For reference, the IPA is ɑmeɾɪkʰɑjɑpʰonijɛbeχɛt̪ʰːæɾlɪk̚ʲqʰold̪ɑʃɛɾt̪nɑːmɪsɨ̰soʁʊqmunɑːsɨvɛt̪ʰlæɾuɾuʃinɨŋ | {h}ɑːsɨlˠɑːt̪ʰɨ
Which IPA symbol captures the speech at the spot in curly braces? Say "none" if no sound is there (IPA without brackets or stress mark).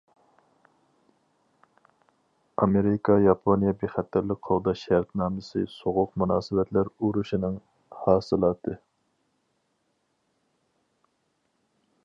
h